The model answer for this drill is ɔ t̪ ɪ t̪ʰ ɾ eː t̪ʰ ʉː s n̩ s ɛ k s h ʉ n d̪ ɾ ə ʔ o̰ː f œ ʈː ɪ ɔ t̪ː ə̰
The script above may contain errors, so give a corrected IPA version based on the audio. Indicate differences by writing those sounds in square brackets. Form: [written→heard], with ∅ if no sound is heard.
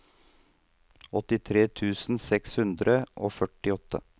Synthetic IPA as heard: ɔ t̪ ɪ t̪ʰ ɾ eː t̪ʰ ʉː s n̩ s ɛ k s h ʉ n d̪ ɾ ə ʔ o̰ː f œ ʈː ɪ ɔ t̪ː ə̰